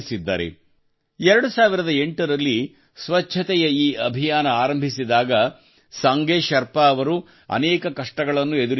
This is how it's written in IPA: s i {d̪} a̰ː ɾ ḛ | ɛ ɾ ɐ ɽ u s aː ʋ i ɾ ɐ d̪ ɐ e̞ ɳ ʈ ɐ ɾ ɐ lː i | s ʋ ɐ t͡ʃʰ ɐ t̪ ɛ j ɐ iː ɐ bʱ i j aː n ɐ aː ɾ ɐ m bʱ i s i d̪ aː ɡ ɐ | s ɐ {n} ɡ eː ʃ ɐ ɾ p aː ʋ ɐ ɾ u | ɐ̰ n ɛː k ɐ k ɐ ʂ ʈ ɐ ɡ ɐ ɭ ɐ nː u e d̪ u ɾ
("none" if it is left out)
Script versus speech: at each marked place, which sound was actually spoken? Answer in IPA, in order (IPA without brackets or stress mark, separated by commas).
d̪ː, ŋ